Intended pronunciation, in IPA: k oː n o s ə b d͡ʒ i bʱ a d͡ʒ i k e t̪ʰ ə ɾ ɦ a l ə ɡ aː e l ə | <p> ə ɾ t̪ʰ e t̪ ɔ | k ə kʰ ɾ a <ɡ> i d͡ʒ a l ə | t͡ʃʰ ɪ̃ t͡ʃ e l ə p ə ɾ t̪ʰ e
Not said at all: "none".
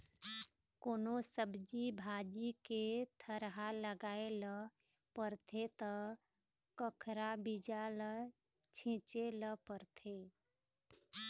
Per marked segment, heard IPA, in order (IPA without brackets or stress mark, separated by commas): p, b